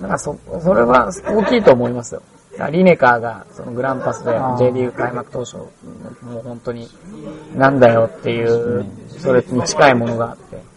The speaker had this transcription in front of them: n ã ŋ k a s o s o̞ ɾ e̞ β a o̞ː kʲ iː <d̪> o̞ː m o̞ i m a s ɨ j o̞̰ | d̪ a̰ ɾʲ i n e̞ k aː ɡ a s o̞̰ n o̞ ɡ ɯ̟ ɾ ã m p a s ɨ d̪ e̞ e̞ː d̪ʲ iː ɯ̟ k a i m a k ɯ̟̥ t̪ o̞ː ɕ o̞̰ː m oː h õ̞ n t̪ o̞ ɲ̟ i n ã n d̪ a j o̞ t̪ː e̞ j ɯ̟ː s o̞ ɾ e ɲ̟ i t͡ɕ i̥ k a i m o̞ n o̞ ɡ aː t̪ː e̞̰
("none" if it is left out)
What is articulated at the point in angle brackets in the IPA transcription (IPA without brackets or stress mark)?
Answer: t̪